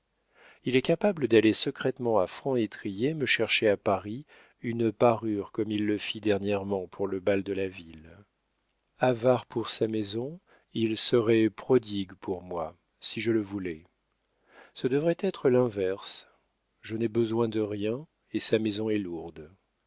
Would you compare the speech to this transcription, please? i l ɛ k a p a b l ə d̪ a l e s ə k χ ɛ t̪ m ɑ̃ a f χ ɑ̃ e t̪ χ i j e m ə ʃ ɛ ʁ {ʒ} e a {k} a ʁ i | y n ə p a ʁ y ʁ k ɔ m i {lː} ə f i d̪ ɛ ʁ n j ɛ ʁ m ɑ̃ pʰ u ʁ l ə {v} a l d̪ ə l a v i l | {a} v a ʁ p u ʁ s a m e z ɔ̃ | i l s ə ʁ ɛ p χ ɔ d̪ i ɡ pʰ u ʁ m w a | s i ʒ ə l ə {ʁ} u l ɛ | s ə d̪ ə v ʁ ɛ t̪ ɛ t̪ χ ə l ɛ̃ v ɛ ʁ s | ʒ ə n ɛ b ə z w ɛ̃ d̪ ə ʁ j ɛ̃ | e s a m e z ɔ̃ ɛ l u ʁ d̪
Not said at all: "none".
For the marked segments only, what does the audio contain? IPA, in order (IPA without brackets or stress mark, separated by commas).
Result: ʃ, p, lː, b, a, v